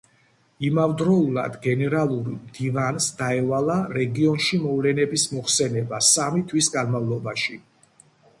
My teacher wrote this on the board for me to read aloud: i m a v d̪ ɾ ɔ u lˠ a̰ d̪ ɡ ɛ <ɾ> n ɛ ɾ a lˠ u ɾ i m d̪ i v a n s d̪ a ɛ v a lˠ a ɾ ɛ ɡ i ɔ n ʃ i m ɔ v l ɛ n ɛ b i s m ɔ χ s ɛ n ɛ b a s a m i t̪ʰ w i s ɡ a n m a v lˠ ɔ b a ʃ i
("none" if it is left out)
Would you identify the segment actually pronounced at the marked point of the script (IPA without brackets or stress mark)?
none